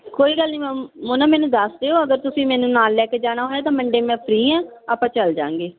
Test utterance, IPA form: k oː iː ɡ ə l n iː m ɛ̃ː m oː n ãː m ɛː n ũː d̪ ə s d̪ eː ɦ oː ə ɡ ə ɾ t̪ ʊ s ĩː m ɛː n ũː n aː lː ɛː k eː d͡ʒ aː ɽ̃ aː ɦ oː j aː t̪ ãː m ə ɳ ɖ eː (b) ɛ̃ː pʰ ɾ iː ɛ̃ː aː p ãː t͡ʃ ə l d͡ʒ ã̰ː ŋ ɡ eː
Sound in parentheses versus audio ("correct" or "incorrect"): incorrect